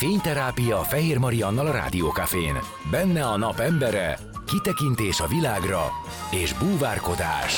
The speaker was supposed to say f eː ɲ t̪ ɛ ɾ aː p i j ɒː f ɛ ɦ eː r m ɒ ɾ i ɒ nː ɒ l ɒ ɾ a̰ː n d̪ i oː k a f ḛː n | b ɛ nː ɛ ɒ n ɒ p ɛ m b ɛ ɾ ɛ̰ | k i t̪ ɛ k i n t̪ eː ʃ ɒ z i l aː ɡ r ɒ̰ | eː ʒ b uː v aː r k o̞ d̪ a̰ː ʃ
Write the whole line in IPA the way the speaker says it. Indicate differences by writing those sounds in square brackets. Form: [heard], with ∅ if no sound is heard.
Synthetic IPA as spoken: f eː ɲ t̪ ɛ ɾ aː p i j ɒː f ɛ ɦ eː r m ɒ ɾ i ɒ nː ɒ l ɒ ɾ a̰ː [∅] d̪ i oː k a f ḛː n | b ɛ nː ɛ ɒ n ɒ p ɛ m b ɛ ɾ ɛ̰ | k i t̪ ɛ k i n t̪ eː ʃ ɒ [v] i l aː ɡ r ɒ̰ | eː ʒ b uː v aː r k o̞ d̪ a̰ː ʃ